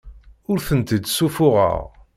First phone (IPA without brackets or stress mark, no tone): ʊ